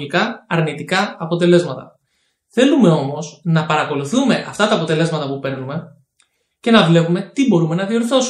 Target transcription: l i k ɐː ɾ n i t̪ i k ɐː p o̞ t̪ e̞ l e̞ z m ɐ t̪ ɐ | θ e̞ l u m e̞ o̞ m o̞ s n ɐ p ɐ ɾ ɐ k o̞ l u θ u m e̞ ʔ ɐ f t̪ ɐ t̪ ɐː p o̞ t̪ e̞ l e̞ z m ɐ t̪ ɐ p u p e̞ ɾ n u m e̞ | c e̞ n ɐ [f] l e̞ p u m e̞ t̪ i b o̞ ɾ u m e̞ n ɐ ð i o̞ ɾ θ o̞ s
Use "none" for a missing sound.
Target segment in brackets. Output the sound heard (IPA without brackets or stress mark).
v